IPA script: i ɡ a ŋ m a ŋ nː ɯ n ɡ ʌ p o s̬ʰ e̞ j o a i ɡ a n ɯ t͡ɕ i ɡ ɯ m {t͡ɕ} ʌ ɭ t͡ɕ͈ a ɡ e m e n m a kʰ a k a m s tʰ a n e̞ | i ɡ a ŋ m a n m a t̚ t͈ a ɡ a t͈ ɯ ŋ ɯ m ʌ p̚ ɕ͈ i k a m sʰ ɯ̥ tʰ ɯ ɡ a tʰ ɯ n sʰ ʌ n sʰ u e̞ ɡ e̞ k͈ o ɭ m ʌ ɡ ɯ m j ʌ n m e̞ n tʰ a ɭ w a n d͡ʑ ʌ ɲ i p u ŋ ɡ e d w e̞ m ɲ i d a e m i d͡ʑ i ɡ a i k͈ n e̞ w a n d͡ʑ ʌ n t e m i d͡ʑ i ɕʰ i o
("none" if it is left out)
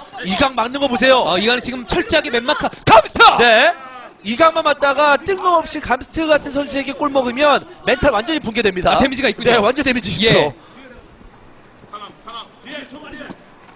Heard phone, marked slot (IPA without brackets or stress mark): t͡ɕʰ